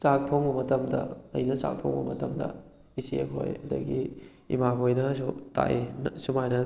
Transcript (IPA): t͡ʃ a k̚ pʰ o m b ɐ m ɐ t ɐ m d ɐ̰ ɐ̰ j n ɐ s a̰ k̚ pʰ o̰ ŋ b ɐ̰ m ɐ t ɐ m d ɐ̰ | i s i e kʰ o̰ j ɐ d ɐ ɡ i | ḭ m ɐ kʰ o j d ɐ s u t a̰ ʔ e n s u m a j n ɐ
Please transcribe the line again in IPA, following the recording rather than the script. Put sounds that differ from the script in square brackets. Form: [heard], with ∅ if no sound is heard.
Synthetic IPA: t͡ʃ a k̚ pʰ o [ŋ] b ɐ m ɐ t ɐ m d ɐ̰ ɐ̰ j n ɐ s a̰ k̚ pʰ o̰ ŋ b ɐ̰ m ɐ t ɐ m d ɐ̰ | i s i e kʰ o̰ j ɐ d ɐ ɡ i | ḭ m [a] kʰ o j [n] ɐ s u t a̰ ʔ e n s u m a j n ɐ